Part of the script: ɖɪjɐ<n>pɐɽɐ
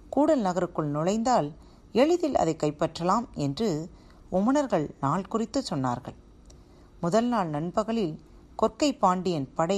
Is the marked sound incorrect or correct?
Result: correct